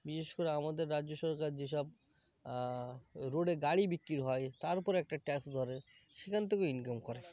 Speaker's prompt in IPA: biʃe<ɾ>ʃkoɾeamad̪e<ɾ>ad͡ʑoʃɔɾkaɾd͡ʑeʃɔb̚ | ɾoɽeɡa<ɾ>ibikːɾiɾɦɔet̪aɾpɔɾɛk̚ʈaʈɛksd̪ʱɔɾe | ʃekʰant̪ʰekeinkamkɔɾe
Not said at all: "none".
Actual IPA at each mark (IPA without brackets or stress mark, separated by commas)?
none, ɾː, ɽ